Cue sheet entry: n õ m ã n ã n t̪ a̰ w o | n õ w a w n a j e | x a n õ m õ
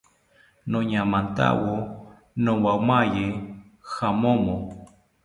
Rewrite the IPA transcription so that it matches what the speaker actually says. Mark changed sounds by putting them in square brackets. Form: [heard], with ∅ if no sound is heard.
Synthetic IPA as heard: n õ [ɲ] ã [m] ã n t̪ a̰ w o | n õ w a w [m] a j e | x a [m] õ m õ

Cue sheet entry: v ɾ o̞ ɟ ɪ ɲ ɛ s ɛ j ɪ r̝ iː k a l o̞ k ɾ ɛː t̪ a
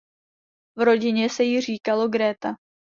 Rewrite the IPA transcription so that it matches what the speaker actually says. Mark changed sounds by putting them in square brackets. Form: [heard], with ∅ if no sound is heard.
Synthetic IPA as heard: v ɾ o̞ ɟ ɪ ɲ ɛ s ɛ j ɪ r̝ iː k a l o̞ [ɡ] ɾ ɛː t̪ a

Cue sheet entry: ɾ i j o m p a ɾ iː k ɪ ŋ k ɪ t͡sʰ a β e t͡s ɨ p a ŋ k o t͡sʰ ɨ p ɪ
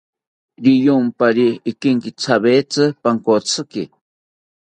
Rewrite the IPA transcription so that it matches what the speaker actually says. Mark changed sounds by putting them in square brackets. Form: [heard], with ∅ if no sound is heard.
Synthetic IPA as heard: ɾ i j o m p a ɾ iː k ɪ ŋ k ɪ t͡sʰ a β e t͡s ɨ p a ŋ k o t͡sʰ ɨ [k] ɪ

